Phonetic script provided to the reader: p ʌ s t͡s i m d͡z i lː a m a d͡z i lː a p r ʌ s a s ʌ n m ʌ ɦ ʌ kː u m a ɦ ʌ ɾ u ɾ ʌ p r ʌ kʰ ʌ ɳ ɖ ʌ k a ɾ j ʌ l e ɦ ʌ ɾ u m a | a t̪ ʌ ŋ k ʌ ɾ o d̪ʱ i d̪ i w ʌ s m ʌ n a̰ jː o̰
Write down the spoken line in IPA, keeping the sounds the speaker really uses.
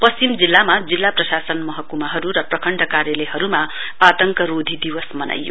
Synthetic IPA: p ʌ s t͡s i m d͡z i lː a m a d͡z i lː a p r ʌ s a s ʌ n m ʌ ɦ ʌ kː u m a ɦ ʌ ɾ u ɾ ʌ p r ʌ kʰ ʌ ɳ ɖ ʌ k a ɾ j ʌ l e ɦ ʌ ɾ u m a | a t̪ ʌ ŋ k ʌ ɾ o d̪ʱ i d̪ i w ʌ s m ʌ n a̰ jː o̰